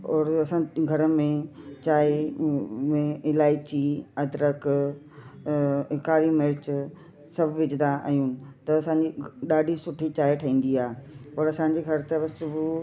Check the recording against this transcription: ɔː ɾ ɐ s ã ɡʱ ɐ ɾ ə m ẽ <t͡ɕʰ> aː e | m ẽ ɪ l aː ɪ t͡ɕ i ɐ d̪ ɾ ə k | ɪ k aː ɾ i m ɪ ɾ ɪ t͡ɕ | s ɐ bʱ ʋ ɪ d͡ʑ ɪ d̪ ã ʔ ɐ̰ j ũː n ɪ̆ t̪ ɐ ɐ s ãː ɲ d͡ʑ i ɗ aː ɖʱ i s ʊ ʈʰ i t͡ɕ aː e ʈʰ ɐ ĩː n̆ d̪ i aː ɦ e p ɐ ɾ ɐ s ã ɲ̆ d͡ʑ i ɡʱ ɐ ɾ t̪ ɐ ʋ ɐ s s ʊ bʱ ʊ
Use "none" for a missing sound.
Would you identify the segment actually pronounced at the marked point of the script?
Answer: t͡ɕ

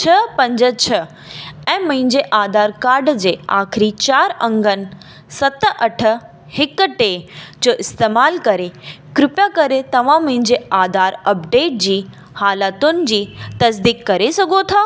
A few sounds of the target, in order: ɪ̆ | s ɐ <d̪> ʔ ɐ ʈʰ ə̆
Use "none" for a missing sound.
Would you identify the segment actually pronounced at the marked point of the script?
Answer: t̪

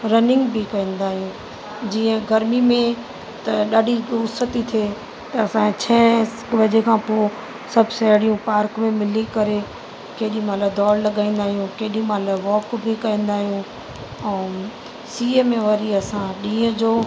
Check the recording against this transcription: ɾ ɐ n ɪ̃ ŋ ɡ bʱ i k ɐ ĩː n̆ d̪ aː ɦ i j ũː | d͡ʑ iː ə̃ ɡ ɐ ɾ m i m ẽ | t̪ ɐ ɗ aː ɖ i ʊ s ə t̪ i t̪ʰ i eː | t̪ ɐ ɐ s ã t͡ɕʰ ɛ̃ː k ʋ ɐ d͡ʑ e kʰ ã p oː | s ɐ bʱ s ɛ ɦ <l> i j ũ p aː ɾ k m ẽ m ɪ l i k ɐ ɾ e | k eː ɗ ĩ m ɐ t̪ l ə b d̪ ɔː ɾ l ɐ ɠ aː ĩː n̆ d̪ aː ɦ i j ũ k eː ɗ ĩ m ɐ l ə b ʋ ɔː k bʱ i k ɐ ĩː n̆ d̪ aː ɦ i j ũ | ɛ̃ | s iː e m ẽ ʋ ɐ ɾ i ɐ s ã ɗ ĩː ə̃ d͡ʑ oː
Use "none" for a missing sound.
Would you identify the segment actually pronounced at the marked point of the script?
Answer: ɽ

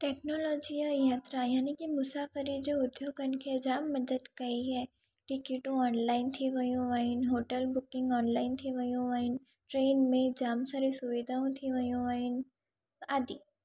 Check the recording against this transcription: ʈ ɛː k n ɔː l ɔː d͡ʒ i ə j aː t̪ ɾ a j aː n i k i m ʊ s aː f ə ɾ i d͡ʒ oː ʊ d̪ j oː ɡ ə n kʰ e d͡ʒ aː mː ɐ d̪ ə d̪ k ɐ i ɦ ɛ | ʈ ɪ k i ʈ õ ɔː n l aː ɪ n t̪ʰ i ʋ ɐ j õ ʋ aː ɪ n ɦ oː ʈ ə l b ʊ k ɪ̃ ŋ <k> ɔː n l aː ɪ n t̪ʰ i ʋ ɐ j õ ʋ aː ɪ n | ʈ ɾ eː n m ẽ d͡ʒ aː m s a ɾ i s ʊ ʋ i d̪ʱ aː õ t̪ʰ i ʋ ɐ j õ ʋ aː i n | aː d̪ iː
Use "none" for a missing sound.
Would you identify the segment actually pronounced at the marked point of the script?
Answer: ɡ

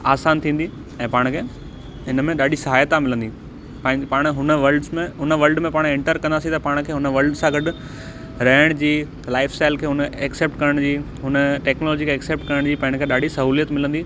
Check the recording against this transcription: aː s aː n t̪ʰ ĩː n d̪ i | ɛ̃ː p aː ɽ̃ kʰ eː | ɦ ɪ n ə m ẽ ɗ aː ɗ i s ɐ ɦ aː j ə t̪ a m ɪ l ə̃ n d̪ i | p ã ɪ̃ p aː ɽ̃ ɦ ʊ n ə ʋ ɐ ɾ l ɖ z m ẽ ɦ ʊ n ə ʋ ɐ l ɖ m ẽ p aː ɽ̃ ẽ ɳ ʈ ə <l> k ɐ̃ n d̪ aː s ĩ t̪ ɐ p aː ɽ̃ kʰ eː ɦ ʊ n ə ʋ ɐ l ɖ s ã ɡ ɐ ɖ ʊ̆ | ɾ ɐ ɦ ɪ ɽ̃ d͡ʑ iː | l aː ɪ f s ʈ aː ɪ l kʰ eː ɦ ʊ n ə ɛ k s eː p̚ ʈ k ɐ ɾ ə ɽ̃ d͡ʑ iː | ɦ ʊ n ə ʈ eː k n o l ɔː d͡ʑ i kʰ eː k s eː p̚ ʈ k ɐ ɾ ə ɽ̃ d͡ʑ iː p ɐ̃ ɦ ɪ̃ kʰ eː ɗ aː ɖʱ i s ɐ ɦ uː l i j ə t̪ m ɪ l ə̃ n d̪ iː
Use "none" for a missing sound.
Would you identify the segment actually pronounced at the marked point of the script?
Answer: ɾ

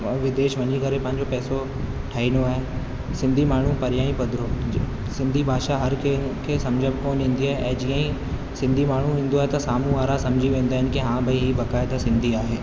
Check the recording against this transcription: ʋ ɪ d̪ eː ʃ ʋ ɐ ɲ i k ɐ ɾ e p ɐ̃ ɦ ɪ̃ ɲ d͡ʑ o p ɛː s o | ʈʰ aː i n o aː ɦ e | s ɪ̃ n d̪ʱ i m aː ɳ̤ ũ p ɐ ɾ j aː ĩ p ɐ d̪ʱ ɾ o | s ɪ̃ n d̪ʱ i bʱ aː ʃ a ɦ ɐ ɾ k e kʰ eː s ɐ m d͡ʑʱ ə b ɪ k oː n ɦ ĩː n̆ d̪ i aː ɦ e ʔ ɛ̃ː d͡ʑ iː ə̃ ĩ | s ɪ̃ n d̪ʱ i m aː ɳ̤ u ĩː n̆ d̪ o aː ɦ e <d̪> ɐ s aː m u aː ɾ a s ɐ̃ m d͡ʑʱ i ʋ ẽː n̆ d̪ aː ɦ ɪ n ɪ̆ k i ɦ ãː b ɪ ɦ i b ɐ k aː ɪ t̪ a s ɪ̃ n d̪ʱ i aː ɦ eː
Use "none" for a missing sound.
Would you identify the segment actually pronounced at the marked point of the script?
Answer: t̪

